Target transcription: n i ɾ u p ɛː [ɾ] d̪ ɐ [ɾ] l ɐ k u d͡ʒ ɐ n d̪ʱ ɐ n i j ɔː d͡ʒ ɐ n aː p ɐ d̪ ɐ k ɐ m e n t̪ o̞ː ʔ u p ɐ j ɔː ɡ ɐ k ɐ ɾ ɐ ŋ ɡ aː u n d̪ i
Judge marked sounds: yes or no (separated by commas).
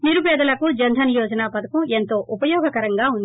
no, no